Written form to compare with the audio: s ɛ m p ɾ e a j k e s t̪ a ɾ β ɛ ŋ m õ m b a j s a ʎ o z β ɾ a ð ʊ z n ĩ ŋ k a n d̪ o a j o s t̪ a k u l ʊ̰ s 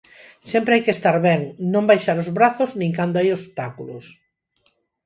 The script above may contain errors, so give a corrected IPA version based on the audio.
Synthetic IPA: s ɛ m p ɾ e a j k e s t̪ a ɾ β ɛ ŋ n õ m b a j ʃ a ɾ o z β ɾ a θ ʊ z n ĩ ŋ k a n d̪ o a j o s t̪ a k u l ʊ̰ s